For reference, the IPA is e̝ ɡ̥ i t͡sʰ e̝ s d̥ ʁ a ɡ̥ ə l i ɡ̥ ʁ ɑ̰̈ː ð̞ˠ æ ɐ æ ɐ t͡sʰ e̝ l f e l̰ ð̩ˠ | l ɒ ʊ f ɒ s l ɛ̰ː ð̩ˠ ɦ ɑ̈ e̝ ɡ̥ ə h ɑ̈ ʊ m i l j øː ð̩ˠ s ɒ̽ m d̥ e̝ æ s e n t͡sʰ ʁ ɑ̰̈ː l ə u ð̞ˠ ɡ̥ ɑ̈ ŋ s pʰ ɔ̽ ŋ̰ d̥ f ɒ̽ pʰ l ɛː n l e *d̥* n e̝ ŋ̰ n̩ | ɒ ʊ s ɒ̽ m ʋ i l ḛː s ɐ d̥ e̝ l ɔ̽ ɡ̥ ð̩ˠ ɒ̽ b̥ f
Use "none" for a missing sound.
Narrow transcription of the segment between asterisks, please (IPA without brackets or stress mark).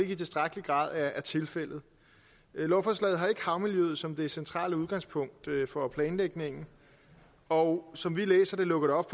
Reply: ɡ̥